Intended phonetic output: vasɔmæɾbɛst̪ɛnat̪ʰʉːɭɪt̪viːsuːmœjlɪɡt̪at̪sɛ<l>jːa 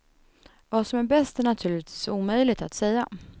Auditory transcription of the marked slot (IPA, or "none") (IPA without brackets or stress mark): none